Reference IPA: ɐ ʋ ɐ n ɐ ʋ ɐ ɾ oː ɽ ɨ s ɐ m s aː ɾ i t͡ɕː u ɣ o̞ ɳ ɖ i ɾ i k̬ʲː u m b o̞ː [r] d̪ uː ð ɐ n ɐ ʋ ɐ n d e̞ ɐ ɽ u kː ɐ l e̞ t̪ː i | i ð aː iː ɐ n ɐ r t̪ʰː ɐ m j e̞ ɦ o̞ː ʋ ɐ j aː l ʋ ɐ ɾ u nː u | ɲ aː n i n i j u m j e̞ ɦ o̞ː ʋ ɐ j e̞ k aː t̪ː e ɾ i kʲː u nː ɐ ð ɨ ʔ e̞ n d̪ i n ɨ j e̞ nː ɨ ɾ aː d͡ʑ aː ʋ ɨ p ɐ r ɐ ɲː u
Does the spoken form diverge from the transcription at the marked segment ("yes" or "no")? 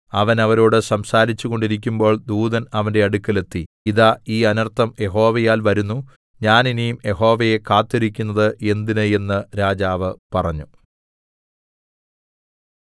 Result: yes